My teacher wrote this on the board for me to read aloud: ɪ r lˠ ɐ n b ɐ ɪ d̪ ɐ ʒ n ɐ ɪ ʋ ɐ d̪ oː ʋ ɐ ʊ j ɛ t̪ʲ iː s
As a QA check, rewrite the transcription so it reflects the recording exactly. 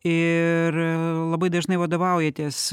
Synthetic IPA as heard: ɪ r lˠ ɐ b ɐ ɪ d̪ ɐ ʒ n ɐ ɪ ʋ ɐ d̪ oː ʋ ɐ ʊ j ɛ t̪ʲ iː s